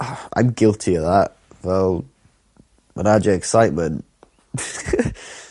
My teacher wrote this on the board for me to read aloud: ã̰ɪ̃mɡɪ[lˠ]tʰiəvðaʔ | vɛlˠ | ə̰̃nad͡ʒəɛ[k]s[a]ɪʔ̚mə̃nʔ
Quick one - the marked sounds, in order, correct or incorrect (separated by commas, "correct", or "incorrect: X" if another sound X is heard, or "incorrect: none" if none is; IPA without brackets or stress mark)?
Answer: correct, correct, correct